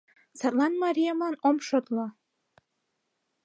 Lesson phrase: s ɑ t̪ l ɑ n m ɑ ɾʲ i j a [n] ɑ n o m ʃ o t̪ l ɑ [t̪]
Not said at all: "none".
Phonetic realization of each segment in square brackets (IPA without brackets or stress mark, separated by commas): m, none